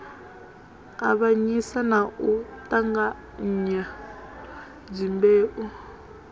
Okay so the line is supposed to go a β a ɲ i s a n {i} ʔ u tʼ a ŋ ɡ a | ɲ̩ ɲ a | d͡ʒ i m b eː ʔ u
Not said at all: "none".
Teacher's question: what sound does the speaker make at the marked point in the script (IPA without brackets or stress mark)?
a